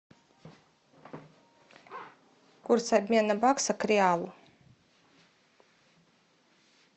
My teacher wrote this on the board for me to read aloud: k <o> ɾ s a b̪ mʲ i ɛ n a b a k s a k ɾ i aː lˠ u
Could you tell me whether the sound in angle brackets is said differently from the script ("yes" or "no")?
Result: yes